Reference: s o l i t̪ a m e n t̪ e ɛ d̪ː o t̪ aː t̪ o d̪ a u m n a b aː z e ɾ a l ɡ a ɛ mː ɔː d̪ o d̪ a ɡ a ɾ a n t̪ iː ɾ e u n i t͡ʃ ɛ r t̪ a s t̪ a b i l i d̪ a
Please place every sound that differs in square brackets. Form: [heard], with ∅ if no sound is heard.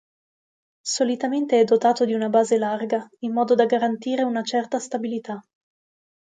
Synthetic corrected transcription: s o l i t̪ a m e n t̪ e ɛ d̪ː o t̪ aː t̪ o d̪ [i] u [∅] n a b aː z e [l] a [r] ɡ a [i] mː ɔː d̪ o d̪ a ɡ a ɾ a n t̪ iː ɾ e u n [a] t͡ʃ ɛ r t̪ a s t̪ a b i l i [t̪] a

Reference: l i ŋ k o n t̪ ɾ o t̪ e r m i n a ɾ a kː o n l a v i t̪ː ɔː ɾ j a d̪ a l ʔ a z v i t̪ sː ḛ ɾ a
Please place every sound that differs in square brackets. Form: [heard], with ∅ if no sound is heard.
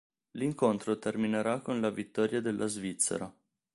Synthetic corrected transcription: l i ŋ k o n t̪ ɾ o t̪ e r m i n [e] ɾ a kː o n l a v i t̪ː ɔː ɾ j a d̪ [e] l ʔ a z v i t̪ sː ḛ ɾ a

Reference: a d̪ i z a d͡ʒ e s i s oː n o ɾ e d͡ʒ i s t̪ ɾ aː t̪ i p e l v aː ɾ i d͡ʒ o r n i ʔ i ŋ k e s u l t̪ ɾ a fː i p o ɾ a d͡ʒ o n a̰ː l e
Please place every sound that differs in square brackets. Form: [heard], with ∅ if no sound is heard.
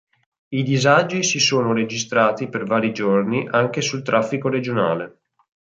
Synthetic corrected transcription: [i] d̪ i z a d͡ʒ [i] s i s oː n o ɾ e d͡ʒ i s t̪ ɾ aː t̪ i p e [r] v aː ɾ i d͡ʒ o r n i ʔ [a] ŋ k e s u l t̪ ɾ a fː i [k] o ɾ [e] d͡ʒ o n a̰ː l e

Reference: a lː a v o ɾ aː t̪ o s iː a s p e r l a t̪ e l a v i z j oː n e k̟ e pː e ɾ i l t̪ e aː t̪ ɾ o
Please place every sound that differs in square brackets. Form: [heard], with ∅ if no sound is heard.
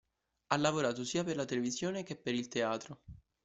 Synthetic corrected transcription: a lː a v o ɾ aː t̪ o s iː a [∅] p e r l a t̪ e l [e] v i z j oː n e k̟ e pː e ɾ i l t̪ e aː t̪ ɾ o

